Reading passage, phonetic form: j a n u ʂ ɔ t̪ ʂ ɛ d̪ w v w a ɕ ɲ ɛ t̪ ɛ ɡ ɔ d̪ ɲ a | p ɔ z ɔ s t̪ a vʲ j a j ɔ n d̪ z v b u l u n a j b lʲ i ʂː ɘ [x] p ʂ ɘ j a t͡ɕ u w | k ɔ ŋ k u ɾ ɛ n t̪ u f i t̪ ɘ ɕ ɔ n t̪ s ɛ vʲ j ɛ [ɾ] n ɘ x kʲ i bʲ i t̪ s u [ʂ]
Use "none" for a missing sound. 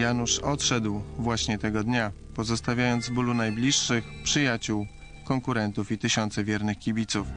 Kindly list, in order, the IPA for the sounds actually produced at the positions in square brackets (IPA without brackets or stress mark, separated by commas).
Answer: x, ɾ, f